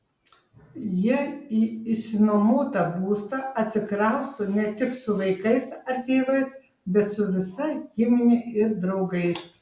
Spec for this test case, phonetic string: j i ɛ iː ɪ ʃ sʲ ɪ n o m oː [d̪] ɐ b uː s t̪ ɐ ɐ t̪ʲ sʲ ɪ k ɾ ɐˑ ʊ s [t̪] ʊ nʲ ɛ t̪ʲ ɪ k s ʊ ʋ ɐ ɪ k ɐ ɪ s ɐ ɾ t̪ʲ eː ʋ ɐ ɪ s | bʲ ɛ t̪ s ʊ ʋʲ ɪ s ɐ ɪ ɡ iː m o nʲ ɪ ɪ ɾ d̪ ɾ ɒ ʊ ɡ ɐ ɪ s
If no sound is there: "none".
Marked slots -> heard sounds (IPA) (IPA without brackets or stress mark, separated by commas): t̪, t̪